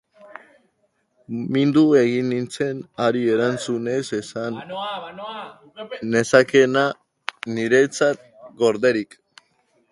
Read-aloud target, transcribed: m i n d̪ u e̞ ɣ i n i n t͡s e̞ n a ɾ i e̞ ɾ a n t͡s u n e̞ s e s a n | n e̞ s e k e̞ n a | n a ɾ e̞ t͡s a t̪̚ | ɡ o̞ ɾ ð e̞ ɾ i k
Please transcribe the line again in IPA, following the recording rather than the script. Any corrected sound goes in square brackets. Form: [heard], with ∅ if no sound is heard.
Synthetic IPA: m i n d̪ u e̞ ɣ i n i n t͡s e̞ n a ɾ i e̞ ɾ a n t͡s u n e̞ s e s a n | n e̞ s [a] k e̞ n a | n [i] ɾ e̞ t͡s a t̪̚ | ɡ o̞ ɾ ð e̞ ɾ i k